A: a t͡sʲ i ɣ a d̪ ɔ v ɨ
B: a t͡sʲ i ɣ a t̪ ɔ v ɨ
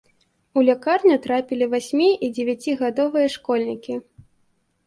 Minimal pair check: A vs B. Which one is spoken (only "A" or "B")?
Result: A